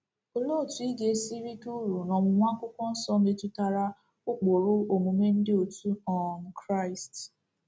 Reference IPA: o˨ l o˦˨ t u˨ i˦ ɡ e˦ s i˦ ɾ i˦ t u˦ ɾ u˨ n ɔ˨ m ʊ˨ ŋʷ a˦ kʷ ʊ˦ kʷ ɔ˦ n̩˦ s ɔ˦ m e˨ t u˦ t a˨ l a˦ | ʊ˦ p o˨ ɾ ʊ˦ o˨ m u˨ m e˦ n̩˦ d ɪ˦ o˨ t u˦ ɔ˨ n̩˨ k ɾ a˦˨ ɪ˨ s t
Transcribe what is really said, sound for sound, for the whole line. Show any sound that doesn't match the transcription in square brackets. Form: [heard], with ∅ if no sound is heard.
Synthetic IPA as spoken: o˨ l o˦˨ t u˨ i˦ ɡ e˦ s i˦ ɾ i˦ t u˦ ɾ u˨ n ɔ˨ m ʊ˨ ŋʷ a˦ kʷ ʊ˦ kʷ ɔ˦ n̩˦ s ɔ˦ m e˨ t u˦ t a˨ [ɾ] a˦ | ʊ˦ [k͡p] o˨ ɾ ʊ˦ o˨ m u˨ m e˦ n̩˦ d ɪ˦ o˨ t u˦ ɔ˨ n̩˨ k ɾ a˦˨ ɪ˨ s t